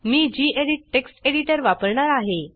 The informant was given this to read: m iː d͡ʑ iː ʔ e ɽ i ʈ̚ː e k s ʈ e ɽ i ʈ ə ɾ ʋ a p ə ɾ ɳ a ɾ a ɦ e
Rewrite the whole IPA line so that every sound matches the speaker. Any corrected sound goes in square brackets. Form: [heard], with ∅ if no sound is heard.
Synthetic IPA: m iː d͡ʑ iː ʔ e ɽ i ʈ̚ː e k s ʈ e ɽ i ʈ ə ɾ ʋ a p ə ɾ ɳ a ɾ a ɦ e